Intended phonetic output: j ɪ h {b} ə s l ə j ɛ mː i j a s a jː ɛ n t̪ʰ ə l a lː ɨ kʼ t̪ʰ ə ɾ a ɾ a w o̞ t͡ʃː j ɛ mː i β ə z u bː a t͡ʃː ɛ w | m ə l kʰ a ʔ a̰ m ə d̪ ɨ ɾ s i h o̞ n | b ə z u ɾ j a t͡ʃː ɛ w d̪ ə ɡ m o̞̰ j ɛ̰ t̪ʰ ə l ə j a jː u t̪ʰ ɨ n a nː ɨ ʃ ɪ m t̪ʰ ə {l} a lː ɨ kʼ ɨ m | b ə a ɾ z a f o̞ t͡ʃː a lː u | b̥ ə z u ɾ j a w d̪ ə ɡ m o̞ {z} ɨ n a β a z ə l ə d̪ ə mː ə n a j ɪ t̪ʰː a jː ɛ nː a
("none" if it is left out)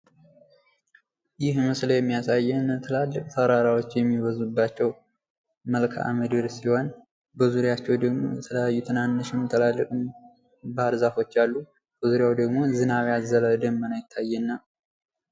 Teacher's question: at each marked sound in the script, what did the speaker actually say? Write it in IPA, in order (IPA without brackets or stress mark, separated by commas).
m, l, z